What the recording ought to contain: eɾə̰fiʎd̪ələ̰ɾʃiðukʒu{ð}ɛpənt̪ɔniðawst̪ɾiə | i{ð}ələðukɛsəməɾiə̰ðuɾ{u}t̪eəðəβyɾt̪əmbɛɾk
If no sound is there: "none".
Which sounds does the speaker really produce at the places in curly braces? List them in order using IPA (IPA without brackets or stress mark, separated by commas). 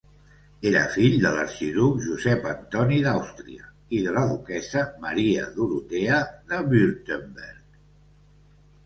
z, ð, u